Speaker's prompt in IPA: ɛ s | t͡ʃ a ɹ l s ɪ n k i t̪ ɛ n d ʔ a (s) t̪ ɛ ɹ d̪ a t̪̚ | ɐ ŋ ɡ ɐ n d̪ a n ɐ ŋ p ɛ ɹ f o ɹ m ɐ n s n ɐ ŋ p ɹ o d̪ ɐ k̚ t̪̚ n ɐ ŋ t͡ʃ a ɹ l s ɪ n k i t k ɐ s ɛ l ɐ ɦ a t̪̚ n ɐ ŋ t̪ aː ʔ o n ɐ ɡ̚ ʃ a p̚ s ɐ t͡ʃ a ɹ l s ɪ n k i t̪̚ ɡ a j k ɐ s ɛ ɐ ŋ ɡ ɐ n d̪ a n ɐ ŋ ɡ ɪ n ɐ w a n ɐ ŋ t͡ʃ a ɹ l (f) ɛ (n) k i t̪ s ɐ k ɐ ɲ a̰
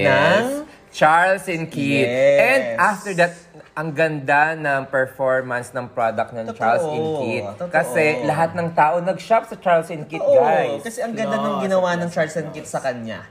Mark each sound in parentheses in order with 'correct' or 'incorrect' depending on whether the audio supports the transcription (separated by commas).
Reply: incorrect, incorrect, correct